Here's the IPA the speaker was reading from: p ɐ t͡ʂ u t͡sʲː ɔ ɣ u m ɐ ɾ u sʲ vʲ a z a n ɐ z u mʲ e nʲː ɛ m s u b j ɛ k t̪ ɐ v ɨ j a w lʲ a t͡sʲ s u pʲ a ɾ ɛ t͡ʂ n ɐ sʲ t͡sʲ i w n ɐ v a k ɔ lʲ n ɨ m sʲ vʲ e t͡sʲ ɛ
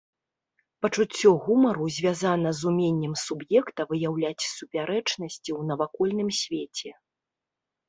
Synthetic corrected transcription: p ɐ t͡ʂ u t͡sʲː ɔ ɣ u m ɐ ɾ u zʲ vʲ a z a n ɐ z u mʲ e nʲː ɛ m s u b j ɛ k t̪ ɐ v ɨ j a w lʲ a t͡sʲ s u pʲ a ɾ ɛ t͡ʂ n ɐ sʲ t͡sʲ i w n ɐ v a k ɔ lʲ n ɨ m sʲ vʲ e t͡sʲ ɛ